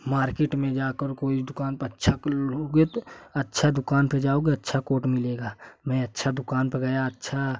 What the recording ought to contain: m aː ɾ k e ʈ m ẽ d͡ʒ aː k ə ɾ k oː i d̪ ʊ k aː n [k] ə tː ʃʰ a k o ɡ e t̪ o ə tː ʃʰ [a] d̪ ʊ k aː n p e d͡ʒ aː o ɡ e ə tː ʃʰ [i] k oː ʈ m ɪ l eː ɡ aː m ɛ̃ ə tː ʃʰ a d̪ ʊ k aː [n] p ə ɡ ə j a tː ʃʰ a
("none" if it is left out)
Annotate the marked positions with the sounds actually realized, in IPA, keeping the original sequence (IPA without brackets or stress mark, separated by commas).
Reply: p, a, a, n